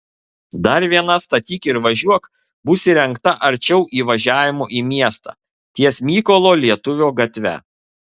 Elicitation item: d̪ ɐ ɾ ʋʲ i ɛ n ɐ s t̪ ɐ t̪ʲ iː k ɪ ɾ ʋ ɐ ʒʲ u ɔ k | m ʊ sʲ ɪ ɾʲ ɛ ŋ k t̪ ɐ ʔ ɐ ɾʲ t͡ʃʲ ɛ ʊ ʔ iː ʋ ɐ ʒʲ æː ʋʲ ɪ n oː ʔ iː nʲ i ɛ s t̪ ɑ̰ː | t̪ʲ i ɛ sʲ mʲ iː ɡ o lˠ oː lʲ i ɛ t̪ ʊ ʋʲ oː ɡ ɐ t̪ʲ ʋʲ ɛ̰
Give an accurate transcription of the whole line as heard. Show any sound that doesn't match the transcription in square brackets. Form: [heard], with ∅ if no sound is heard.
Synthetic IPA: d̪ ɐ ɾ ʋʲ i ɛ n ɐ s t̪ ɐ t̪ʲ iː k ɪ ɾ ʋ ɐ ʒʲ u ɔ k | [b] ʊ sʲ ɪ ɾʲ ɛ ŋ k t̪ ɐ ʔ ɐ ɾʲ t͡ʃʲ ɛ ʊ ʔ iː ʋ ɐ ʒʲ æː ʋʲ ɪ [m] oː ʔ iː [mʲ] i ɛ s t̪ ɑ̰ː | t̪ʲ i ɛ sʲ mʲ iː [k] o lˠ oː lʲ i ɛ t̪ ʊ ʋʲ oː ɡ ɐ t̪ʲ ʋʲ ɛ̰